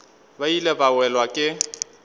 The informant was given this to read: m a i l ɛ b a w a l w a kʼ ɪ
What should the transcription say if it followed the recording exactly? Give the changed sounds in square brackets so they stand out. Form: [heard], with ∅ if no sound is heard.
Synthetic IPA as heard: [b] a i l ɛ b a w [ɛ] l w a kʼ ɪ